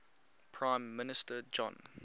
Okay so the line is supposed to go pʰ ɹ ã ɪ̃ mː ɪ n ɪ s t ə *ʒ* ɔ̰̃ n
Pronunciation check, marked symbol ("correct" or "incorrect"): incorrect